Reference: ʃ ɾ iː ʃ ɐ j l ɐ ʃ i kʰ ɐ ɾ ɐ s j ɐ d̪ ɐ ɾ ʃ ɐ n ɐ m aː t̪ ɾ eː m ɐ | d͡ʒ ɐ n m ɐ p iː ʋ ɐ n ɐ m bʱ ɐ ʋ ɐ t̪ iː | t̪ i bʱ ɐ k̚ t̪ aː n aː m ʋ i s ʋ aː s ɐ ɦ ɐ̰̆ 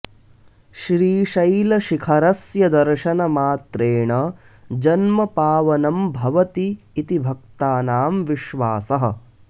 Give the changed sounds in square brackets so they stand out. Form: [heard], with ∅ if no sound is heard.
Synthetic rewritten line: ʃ ɾ iː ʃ ɐ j l ɐ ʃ i kʰ ɐ ɾ ɐ s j ɐ d̪ ɐ ɾ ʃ ɐ n ɐ m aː t̪ ɾ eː [ɳ] ɐ | d͡ʒ ɐ n m ɐ p [aː] ʋ ɐ n ɐ m bʱ ɐ ʋ ɐ t̪ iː | t̪ i bʱ ɐ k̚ t̪ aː n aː m ʋ i [ʃ] ʋ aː s ɐ ɦ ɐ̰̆